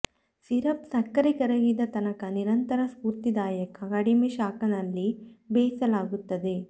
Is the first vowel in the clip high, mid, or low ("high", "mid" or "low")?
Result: high